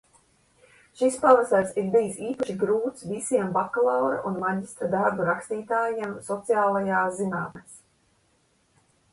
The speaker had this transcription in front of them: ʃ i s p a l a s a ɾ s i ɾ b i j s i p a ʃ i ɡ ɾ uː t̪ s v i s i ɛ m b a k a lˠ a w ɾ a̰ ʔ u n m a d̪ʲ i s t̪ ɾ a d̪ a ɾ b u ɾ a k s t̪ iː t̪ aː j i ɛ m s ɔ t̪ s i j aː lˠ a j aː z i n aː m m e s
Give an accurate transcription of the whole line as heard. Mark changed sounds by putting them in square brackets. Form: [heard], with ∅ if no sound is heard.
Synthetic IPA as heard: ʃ i s p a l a s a ɾ s i ɾ b i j s [iː] p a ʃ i ɡ ɾ uː t̪ s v i s i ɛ m b a k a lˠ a w ɾ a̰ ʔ u n m a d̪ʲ i s t̪ ɾ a d̪ a ɾ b u ɾ a k s t̪ iː t̪ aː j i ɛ m s ɔ t̪ s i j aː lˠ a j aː z i n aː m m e s